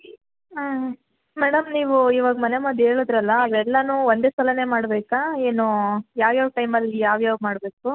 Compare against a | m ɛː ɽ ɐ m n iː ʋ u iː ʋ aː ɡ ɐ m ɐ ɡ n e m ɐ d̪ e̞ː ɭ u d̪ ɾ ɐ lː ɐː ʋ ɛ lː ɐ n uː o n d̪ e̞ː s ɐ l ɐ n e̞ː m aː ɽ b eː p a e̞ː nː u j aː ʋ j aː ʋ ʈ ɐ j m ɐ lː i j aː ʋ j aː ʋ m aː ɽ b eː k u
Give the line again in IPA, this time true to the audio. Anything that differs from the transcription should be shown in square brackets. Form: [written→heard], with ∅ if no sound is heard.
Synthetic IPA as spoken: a | m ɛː ɽ ɐ m n iː ʋ u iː ʋ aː ɡ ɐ m ɐ [ɡ→∅] n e m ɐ d̪ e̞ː ɭ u d̪ ɾ ɐ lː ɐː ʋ ɛ lː ɐ n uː o n d̪ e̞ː s ɐ l ɐ n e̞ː m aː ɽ b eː [p→k] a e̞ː [nː→n] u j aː ʋ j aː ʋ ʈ ɐ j m ɐ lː i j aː ʋ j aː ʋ m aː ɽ b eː k u

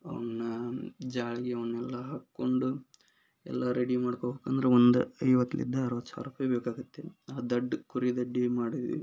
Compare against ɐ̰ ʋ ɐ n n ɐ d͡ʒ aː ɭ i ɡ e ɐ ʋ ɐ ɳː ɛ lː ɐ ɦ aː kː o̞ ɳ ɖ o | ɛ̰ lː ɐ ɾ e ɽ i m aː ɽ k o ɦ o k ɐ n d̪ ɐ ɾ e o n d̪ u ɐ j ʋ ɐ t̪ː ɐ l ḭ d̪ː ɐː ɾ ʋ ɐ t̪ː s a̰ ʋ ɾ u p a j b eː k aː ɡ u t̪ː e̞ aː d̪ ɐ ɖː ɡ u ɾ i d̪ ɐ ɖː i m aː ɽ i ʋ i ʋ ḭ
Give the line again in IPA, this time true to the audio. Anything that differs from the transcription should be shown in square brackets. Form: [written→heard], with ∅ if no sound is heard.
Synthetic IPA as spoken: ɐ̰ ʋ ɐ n n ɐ d͡ʒ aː ɭ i ɡ e ɐ ʋ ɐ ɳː ɛ lː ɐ ɦ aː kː o̞ ɳ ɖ [o→u] | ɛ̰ lː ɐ ɾ e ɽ i m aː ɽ k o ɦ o k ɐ n d̪ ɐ ɾ e o n d̪ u ɐ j ʋ ɐ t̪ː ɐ l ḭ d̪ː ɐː ɾ ʋ ɐ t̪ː s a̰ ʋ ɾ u p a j b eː k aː ɡ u t̪ː e̞ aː d̪ ɐ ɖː [ɡ→k] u ɾ i d̪ ɐ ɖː i m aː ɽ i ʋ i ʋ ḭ

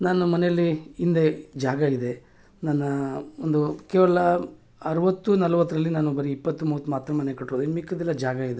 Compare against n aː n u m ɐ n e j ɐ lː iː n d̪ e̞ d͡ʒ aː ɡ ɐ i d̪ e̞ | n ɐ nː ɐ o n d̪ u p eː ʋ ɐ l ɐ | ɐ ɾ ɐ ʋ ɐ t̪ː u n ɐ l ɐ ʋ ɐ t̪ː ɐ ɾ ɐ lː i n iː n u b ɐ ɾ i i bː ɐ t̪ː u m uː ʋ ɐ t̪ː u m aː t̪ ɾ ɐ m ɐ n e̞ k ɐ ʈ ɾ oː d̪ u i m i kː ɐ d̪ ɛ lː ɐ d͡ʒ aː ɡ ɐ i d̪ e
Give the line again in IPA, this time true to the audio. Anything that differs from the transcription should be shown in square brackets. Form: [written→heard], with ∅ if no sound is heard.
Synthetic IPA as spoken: n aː n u m ɐ n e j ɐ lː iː n d̪ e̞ d͡ʒ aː ɡ ɐ i d̪ e̞ | n ɐ nː ɐ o n d̪ u [p→k] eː ʋ ɐ l ɐ | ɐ ɾ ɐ ʋ ɐ t̪ː u n ɐ l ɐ ʋ ɐ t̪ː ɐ ɾ ɐ lː i n [iː→aː] n u b ɐ ɾ i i [bː→pː] ɐ t̪ː u m uː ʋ ɐ t̪ː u m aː t̪ ɾ ɐ m ɐ n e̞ k ɐ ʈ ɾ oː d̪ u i m i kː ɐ d̪ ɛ lː ɐ d͡ʒ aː ɡ ɐ i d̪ e

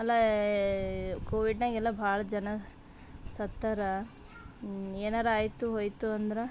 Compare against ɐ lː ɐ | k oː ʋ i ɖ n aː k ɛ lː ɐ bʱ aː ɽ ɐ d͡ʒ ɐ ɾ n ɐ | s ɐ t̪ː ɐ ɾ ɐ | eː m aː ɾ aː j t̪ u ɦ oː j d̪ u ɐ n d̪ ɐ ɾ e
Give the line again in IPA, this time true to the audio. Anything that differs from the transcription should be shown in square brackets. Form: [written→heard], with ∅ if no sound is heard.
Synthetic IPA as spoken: ɐ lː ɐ | k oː ʋ i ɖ n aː [k→ɡ] ɛ lː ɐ bʱ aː [ɽ→ɭ] ɐ d͡ʒ ɐ [ɾ→∅] n ɐ | s ɐ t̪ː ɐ ɾ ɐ | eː [m→n] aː ɾ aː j t̪ u ɦ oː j [d̪→t̪] u ɐ n d̪ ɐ ɾ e

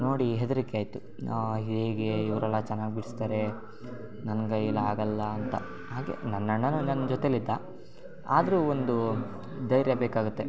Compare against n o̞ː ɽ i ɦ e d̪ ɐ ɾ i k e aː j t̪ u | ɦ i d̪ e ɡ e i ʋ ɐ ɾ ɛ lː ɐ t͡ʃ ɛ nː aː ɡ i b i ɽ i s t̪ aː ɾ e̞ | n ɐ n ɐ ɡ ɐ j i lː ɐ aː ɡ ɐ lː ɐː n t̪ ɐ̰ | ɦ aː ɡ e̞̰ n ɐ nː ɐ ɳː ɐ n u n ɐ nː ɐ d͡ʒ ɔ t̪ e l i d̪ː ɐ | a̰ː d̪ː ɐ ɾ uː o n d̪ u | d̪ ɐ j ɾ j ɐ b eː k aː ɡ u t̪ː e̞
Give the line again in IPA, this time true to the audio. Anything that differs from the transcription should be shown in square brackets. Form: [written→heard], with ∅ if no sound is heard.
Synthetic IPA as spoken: n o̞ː ɽ i ɦ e d̪ ɐ ɾ i k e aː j t̪ u | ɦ i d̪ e ɡ e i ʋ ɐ ɾ ɛ lː ɐ t͡ʃ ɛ nː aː ɡ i b i ɽ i s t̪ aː ɾ e̞ | n ɐ n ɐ ɡ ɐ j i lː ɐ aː ɡ ɐ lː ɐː n t̪ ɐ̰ | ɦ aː ɡ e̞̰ n ɐ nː ɐ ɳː ɐ n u n ɐ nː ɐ d͡ʒ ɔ t̪ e l i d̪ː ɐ | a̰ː [d̪ː→d̪] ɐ ɾ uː o n d̪ u | d̪ ɐ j ɾ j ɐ b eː k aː ɡ u t̪ː e̞

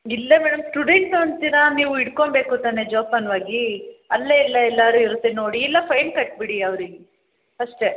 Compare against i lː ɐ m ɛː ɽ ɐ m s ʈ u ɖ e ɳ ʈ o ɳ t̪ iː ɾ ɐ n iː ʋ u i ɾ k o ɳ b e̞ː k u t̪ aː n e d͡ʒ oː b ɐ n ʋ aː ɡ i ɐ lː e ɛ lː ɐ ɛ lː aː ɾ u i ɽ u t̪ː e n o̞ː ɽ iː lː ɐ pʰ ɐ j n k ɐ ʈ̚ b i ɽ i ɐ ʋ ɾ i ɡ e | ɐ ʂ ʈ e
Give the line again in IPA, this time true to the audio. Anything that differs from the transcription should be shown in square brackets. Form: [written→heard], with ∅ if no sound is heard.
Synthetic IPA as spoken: i lː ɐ m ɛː ɽ ɐ m s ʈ u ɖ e ɳ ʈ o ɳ t̪ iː ɾ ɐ n iː ʋ u i [ɾ→ɽ] k o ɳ b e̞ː k u t̪ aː n e d͡ʒ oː [b→p] ɐ n ʋ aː ɡ i ɐ lː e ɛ lː ɐ ɛ lː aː ɾ u i [ɽ→ɾ] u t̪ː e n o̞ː ɽ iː lː ɐ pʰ ɐ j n k ɐ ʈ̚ b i ɽ i ɐ ʋ ɾ i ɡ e | ɐ ʂ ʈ e

